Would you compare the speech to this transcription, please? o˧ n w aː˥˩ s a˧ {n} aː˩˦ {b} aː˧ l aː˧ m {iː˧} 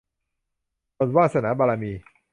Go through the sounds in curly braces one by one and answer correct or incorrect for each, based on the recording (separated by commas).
correct, correct, correct